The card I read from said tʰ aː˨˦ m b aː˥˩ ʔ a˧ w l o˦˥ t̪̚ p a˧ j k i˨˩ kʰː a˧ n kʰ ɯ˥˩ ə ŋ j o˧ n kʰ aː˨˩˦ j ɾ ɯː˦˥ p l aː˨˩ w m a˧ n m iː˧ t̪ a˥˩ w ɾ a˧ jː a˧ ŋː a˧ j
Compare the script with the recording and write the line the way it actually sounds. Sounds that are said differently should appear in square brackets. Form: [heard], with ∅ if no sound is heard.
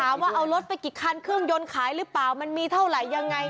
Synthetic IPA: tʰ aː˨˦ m [w] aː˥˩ ʔ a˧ w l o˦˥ t̪̚ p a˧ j k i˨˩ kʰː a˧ n kʰ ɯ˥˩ ə ŋ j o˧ n kʰ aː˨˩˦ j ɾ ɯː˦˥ p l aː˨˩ w m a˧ n m iː˧ [t̪ʰ] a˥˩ w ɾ [a˨˩] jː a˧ ŋː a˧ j